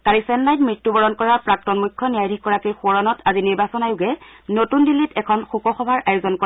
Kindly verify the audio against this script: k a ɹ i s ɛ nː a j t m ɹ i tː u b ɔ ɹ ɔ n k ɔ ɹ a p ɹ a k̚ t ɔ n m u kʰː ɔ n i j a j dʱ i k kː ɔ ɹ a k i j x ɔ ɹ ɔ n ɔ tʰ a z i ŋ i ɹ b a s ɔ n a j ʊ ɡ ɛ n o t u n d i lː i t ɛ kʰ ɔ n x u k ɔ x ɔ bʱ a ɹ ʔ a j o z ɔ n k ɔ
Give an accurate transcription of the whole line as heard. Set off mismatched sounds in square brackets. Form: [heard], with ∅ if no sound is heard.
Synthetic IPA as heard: k a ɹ i s ɛ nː a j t m ɹ i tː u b ɔ ɹ ɔ n k ɔ ɹ a p ɹ a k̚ t ɔ n m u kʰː ɔ n i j a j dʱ i k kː ɔ ɹ a k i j x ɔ ɹ ɔ n ɔ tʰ a z i [n] i ɹ b a s ɔ n a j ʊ ɡ ɛ n o t u n d i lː i t ɛ kʰ ɔ n x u k ɔ x ɔ bʱ a ɹ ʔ a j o z ɔ n k ɔ